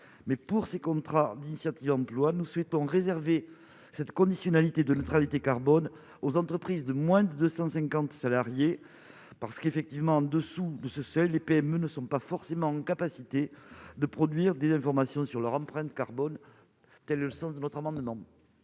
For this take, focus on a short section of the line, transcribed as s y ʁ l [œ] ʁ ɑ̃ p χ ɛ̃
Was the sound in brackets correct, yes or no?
yes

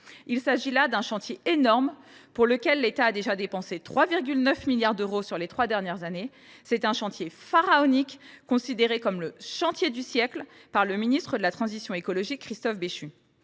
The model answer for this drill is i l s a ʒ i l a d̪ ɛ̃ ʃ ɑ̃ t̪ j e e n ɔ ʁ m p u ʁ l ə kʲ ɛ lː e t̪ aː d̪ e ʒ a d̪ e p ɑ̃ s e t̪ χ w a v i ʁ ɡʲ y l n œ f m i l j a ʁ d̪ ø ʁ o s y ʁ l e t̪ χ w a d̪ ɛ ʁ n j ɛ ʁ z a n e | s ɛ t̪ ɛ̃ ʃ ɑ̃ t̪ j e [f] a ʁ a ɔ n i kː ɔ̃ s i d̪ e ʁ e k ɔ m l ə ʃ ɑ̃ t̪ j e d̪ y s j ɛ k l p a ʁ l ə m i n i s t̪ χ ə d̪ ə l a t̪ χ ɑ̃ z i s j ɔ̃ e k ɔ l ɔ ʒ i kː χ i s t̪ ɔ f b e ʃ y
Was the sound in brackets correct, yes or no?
yes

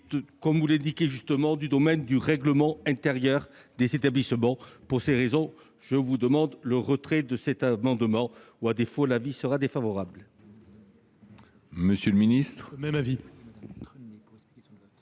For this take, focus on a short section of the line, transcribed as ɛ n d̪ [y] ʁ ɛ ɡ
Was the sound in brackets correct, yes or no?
yes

